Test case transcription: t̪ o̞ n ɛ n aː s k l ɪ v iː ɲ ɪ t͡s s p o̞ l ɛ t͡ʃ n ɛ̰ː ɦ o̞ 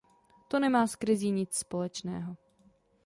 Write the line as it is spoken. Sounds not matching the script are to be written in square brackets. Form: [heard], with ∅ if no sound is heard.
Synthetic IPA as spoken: t̪ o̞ n ɛ [m] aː s k [ɾ] ɪ [z] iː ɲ ɪ t͡s s p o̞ l ɛ t͡ʃ n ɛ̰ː ɦ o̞